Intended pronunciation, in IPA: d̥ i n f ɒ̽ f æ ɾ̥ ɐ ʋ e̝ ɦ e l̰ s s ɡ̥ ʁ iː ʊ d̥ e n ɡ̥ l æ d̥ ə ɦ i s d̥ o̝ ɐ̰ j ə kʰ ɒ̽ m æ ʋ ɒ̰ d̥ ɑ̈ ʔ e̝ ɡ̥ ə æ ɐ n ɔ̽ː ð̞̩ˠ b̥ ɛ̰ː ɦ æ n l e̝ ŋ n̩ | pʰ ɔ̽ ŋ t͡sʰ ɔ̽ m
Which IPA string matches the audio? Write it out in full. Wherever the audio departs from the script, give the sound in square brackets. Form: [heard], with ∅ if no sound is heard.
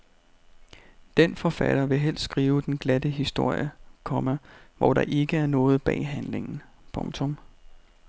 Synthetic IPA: d̥ [e] n f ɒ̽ f æ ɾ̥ ɐ ʋ e̝ ɦ e l̰ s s ɡ̥ ʁ iː ʊ d̥ e n ɡ̥ l æ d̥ ə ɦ i s d̥ o̝ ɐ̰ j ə kʰ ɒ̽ m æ ʋ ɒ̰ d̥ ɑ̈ ʔ e̝ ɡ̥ ə æ ɐ n ɔ̽ː ð̞̩ˠ b̥ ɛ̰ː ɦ æ n l e̝ ŋ n̩ | pʰ ɔ̽ ŋ t͡sʰ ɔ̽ m